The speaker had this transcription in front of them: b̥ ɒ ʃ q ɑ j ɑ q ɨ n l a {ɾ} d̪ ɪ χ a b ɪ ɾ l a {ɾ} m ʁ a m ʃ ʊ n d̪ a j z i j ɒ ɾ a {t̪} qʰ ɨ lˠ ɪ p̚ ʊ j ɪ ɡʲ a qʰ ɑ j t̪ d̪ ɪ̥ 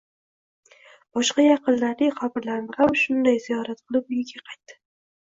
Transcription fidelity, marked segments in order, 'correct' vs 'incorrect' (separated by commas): correct, correct, correct